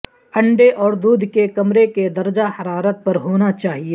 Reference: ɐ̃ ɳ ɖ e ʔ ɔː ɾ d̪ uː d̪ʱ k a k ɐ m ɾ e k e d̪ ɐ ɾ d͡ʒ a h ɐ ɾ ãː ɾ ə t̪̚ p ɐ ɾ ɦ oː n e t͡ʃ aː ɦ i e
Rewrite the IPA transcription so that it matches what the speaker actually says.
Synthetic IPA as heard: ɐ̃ ɳ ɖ e ʔ ɔː ɾ d̪ uː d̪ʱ k e k ɐ m ɾ e k e d̪ ɐ ɾ d͡ʒ a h ɐ ɾ aː ɾ ə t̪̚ p ɐ ɾ ɦ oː n a t͡ʃ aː ɦ i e